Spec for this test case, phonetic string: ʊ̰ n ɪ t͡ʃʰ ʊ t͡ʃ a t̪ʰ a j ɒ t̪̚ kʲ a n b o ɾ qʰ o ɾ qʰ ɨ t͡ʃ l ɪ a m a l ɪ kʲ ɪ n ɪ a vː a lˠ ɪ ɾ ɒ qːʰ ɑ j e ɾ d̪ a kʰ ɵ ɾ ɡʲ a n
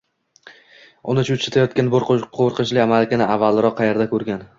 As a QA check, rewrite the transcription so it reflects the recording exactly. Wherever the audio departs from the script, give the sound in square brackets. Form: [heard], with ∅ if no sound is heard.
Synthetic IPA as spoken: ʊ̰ n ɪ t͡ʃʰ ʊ t͡ʃ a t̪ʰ a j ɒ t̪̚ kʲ a n b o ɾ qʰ o ɾ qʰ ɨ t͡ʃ l ɪ a m a l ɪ kʲ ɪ n ɪ a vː a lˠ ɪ ɾ ɒ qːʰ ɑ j e ɾ d̪ a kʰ ɵ ɾ ɡʲ a n